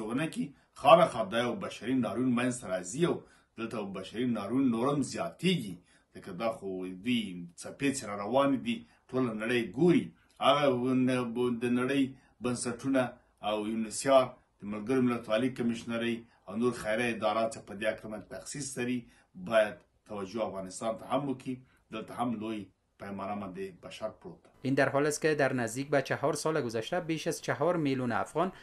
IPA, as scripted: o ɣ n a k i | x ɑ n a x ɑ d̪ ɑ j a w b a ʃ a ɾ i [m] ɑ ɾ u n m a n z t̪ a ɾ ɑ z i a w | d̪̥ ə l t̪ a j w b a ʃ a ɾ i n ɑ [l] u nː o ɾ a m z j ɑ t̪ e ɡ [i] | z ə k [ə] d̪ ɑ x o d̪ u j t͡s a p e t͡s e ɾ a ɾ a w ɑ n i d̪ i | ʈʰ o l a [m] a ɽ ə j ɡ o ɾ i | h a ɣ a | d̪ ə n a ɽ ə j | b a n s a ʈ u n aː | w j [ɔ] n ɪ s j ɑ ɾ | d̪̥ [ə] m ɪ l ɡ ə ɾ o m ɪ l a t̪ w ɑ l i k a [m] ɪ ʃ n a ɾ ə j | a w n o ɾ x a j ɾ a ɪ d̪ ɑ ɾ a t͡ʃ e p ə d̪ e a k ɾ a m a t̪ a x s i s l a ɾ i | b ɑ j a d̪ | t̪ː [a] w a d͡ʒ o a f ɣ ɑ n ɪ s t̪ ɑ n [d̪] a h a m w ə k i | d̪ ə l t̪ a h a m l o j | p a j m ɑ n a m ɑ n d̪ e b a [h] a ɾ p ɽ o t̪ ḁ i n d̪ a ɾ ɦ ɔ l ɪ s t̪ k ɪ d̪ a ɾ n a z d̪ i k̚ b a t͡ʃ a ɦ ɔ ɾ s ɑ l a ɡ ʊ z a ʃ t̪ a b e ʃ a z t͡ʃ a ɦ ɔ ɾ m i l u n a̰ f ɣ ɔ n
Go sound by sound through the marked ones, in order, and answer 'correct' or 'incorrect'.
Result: incorrect, incorrect, correct, incorrect, incorrect, incorrect, correct, correct, correct, incorrect, incorrect

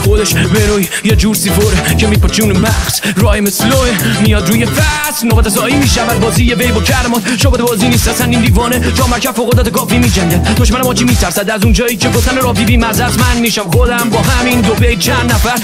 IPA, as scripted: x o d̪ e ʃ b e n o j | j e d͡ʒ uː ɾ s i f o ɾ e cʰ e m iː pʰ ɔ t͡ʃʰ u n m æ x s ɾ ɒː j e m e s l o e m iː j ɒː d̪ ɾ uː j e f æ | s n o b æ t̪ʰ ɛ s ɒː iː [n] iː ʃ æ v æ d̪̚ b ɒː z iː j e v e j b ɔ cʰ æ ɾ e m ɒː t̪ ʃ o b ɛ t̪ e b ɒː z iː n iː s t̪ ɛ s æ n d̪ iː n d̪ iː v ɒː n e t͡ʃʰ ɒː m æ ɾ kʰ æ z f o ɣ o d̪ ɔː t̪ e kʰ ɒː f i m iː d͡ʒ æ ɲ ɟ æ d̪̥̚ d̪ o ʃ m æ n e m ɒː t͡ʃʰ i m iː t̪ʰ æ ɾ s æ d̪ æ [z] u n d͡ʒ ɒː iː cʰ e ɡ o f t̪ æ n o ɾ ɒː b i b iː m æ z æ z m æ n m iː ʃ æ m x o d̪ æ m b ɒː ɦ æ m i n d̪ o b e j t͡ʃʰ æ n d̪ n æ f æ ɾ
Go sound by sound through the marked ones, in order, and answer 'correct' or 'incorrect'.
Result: incorrect, correct

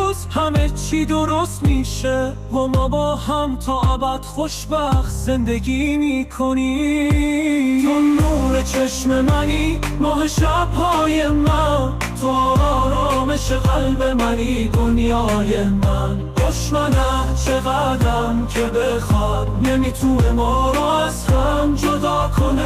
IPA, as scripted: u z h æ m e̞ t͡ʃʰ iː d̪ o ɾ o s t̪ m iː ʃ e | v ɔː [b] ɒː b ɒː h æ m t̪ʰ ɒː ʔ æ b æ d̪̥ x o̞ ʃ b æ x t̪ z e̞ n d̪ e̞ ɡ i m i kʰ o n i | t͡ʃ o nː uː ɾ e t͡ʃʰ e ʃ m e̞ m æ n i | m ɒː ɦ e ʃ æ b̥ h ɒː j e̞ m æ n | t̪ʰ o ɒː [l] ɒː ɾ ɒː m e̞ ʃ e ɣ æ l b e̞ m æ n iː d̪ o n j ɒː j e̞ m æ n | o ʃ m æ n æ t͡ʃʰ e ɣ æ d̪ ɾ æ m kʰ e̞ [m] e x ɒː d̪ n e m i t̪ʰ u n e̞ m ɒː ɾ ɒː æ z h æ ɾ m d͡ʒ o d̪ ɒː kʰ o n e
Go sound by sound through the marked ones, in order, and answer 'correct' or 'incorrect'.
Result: incorrect, incorrect, incorrect

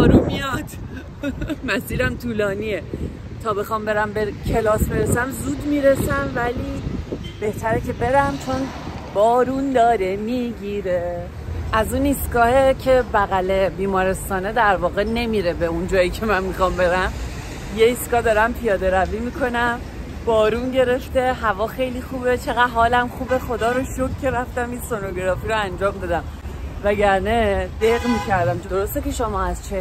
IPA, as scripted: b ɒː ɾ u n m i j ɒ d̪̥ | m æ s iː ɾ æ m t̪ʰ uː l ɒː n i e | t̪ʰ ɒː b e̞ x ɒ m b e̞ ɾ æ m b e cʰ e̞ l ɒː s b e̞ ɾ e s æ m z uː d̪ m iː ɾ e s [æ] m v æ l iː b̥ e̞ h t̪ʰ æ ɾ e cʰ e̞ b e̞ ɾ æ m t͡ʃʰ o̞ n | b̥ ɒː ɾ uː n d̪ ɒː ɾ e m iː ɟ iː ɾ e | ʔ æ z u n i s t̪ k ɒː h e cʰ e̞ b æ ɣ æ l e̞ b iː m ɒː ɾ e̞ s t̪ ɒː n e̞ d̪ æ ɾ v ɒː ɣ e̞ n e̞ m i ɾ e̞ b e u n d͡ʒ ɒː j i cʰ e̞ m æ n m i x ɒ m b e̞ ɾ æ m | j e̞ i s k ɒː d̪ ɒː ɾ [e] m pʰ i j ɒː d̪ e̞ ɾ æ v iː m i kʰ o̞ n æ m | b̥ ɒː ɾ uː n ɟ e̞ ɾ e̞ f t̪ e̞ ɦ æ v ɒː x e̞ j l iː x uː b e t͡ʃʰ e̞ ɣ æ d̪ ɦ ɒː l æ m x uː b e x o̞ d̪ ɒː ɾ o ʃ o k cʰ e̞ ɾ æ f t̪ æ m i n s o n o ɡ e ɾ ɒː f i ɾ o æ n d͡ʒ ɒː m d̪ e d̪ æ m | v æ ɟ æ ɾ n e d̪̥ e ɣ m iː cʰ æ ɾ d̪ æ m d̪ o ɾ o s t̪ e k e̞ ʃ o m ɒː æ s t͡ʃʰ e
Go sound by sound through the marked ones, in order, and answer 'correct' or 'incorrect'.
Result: correct, incorrect

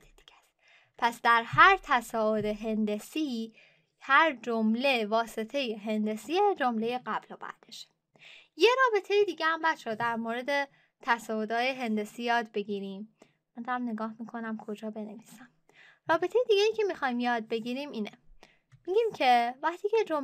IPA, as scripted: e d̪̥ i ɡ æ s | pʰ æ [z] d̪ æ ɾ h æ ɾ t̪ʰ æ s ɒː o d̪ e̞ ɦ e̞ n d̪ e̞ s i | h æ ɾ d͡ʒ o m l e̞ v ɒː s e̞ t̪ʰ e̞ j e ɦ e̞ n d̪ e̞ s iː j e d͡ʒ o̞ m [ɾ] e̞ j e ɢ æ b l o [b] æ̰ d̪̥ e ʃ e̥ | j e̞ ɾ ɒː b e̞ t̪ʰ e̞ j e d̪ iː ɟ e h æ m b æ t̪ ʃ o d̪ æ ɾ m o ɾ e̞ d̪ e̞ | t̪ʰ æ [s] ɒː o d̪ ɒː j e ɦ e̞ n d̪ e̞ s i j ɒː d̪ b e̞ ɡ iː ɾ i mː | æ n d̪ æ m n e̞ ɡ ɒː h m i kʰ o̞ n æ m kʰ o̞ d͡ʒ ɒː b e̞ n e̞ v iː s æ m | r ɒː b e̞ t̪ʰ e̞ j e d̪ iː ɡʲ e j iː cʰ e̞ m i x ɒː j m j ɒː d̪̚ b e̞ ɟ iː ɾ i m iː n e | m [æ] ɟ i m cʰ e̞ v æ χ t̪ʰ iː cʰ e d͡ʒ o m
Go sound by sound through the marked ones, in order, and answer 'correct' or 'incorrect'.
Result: incorrect, incorrect, correct, correct, incorrect

